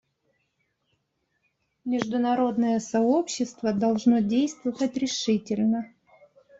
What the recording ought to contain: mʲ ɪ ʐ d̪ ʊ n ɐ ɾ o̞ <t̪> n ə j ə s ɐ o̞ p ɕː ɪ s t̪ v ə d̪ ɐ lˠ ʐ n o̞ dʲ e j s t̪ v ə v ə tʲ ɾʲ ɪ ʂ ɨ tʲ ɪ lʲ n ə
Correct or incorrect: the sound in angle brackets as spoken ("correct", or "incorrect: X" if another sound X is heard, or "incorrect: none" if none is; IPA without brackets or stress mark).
incorrect: d̪